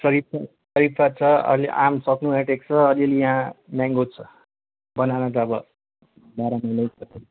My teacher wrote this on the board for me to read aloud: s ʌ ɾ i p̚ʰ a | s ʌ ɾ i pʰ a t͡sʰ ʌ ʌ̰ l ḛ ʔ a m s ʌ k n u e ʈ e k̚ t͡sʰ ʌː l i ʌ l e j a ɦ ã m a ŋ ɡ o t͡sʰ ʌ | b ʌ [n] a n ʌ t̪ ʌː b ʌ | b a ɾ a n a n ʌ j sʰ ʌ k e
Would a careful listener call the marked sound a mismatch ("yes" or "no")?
no